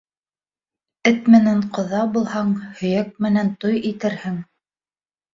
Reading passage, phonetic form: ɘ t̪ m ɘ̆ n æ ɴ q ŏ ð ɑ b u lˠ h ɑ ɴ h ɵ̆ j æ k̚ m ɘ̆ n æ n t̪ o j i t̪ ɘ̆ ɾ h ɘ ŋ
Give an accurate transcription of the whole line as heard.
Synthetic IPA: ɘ t̪ m ɘ̆ n æ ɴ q ŏ ð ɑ b u lˠ h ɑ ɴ h ɵ̆ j æ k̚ m ɘ̆ n æ n t̪ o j i t̪ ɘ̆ ɾ h ɘ ŋ